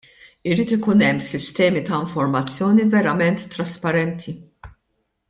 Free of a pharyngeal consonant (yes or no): yes